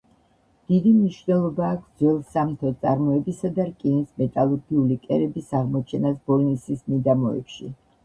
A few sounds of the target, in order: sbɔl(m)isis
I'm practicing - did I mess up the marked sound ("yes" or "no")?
yes